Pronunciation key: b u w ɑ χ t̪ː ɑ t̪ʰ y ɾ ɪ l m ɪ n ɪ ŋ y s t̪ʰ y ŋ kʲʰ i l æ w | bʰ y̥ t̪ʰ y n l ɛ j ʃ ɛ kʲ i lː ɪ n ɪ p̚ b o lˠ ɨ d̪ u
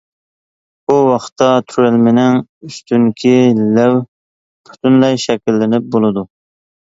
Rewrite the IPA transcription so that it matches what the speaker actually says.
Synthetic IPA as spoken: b u w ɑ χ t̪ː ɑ t̪ʰ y ɾ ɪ l m ɪ n ɪ ŋ y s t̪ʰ y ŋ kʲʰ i l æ w | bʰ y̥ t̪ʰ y n l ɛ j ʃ ɛ kʲ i lː ɪ n ɪ p̚ b o lˠ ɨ d̪ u